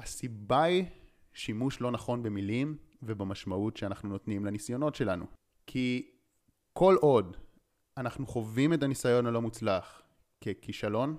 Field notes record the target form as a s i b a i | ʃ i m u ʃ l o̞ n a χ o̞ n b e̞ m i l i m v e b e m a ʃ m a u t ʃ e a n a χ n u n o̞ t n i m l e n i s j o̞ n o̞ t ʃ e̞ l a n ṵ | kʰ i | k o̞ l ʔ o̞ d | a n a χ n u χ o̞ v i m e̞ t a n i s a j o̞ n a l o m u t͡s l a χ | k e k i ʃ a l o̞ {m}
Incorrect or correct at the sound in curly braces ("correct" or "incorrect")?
incorrect